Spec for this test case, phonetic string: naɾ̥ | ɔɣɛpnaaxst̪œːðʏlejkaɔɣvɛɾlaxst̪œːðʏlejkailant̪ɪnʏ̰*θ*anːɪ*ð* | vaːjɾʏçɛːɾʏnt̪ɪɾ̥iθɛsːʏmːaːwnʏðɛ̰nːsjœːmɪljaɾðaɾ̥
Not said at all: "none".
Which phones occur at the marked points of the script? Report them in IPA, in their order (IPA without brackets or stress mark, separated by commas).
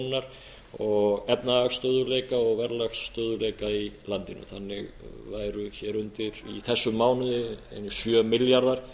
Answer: θ, ɣ